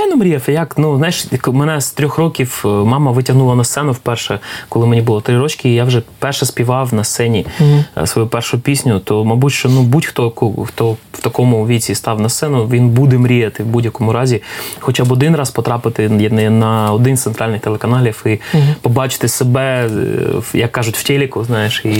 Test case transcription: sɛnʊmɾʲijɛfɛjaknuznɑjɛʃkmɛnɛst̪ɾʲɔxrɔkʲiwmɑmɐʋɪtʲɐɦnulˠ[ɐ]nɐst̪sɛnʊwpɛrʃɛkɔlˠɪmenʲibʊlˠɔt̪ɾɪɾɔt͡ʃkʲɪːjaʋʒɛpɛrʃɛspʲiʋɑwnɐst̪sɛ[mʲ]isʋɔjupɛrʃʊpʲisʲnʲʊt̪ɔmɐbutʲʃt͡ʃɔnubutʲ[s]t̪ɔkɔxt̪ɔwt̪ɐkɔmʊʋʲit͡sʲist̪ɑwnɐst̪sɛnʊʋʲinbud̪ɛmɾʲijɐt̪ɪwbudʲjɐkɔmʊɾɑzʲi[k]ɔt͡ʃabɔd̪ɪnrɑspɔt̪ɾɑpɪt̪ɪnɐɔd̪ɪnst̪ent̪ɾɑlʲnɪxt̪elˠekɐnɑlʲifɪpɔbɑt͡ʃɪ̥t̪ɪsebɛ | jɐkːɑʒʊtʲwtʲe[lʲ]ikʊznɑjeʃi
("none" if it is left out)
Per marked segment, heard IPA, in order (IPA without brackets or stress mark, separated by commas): ɐ, nʲ, x, x, lʲ